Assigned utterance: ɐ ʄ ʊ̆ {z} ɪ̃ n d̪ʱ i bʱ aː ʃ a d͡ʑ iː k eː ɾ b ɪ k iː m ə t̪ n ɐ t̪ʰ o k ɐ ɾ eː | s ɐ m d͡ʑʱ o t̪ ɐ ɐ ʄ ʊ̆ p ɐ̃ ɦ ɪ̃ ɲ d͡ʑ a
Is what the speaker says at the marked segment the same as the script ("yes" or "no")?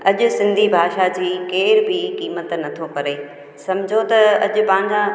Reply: no